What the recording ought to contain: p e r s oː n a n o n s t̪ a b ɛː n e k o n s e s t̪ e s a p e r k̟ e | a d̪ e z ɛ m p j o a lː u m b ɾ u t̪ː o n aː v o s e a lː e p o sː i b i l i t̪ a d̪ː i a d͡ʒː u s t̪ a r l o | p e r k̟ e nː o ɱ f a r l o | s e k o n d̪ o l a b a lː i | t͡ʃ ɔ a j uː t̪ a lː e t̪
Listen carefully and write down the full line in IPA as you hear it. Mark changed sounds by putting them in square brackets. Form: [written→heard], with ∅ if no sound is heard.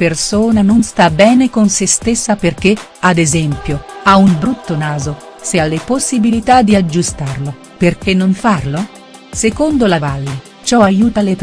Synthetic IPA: p e r s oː n a n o n s t̪ a b ɛː n e k o n s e s t̪ e [s→sː] a p e r k̟ e | a d̪ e z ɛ m p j o a [lː→∅] u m b ɾ u t̪ː o n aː [v→z] o s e a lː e p o sː i b i l i t̪ a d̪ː i a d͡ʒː u s t̪ a r l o | p e r k̟ e nː o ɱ f a r l o | s e k o n d̪ o l a [b→v] a lː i | t͡ʃ ɔ a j uː t̪ a [lː→l] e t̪